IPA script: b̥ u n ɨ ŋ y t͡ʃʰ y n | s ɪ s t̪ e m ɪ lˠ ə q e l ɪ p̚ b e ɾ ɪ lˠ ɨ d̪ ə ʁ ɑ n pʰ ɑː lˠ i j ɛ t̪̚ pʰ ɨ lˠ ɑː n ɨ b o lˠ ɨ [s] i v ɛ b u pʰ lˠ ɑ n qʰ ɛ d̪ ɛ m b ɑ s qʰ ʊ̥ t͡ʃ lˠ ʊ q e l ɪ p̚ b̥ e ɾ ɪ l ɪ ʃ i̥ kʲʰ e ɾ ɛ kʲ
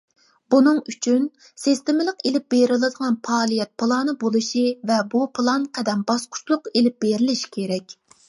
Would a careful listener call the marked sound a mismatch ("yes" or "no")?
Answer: yes